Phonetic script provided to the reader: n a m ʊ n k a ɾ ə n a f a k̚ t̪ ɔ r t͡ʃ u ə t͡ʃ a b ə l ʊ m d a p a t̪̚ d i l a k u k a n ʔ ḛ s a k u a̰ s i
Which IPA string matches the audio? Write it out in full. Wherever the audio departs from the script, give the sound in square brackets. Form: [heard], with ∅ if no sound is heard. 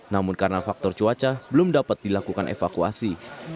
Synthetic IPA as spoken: n a m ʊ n k a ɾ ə n a f a k̚ t̪ ɔ r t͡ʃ u [a] t͡ʃ a b ə l ʊ m d a p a t̪̚ d i l a k u k a n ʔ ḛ [f] a k u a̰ s i

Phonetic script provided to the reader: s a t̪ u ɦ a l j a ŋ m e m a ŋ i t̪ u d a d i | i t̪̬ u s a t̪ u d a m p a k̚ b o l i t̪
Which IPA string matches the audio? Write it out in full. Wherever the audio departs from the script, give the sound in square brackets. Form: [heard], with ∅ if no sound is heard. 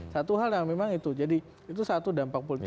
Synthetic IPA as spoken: s a t̪ u ɦ a l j a ŋ m e m a ŋ i t̪ u [d͡ʒ] a d i | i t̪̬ u s a t̪ u d a m p a k̚ [p] o l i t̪

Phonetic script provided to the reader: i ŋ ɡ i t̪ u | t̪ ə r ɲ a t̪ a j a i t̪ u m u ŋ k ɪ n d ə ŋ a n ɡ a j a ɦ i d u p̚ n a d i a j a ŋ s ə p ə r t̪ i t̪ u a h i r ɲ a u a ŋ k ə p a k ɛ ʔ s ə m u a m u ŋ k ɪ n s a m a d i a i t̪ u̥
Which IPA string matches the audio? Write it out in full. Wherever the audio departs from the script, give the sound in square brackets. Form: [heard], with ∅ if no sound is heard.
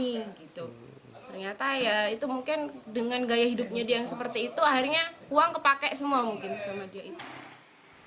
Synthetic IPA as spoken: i [∅] ɡ i t̪ u | t̪ ə r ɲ a t̪ a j a i t̪ u m u ŋ k ɪ n d ə ŋ a n ɡ a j a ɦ i d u p̚ [ɲ] a d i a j a ŋ s ə p ə r t̪ [iː] t̪ u a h i r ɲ a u a ŋ k ə p a k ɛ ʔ s ə m u a m u ŋ k ɪ n s a m a d i a i t̪ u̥

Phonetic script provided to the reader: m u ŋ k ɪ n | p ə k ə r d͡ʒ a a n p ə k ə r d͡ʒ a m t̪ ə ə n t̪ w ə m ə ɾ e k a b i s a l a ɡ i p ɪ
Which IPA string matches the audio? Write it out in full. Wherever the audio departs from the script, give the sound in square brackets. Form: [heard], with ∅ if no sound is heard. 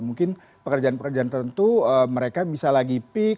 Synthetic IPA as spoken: m u ŋ k ɪ n | p ə k ə r d͡ʒ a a n p ə k ə r d͡ʒ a [n] t̪ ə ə n t̪ [u] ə m ə ɾ e k a b i s a l a ɡ i p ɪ

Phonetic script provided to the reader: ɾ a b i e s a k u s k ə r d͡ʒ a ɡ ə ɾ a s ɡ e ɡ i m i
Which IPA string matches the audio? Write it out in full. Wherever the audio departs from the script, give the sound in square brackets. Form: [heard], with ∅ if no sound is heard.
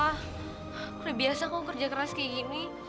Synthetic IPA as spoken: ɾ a b i [a] s a k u [∅] k ə r d͡ʒ a [k] ə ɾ a s [k] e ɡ i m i

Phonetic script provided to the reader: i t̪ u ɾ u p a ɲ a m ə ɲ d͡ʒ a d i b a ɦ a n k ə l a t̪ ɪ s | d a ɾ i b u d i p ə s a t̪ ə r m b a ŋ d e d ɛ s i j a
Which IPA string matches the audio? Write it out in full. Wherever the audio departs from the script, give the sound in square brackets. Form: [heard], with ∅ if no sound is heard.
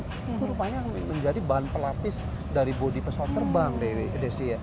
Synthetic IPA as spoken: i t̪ u ɾ u p a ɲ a m ə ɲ d͡ʒ a d i b a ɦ a n [p] ə l a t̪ ɪ s | d a ɾ i b [o] d i p ə s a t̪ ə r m b a ŋ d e d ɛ s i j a

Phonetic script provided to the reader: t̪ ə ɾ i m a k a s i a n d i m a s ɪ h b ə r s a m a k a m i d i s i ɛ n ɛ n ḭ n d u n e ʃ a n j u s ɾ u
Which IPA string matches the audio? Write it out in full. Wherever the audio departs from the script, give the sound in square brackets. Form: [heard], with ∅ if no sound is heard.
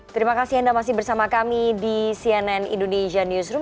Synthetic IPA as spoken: t̪ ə ɾ i m a k a s i a n d [a] m a s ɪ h b ə r s a m a k a m i d i s i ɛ n ɛ n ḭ n d [o] n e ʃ a n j u s ɾ u

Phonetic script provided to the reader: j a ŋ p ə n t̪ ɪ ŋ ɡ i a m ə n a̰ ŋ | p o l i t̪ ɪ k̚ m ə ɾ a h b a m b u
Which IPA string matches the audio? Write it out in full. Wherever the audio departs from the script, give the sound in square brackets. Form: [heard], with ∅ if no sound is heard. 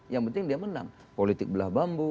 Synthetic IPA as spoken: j a ŋ p ə n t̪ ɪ ŋ [d] i a m ə n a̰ ŋ | p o l i t̪ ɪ k̚ [b] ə [l] a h b a m b u

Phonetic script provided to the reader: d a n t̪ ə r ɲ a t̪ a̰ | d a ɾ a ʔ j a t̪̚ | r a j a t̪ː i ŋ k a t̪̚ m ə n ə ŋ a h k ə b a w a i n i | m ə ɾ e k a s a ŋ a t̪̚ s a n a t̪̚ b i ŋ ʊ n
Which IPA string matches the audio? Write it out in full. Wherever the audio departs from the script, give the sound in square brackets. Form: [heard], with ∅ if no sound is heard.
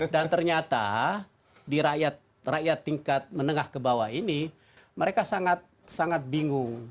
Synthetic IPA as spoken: d a n t̪ ə r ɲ a t̪ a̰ | d [i] ɾ a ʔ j a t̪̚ | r a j a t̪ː i ŋ k a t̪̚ m ə n ə ŋ a h k ə b a w a i n i | m ə ɾ e k a s a ŋ a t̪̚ s a [ŋ] a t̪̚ b i ŋ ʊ [ŋ]

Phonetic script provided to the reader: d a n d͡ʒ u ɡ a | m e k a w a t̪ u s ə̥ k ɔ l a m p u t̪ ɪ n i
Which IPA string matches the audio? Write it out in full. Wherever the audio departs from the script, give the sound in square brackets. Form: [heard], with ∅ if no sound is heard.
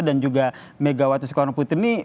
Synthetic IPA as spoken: d a n d͡ʒ u ɡ a | m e [ɡ] a w a t̪ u s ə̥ k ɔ [ɾ] a [ŋ] p u t̪ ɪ n i

